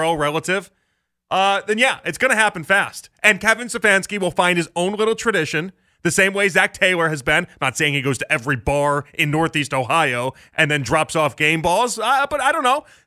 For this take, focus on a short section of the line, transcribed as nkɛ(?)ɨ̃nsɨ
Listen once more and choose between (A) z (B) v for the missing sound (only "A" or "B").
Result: B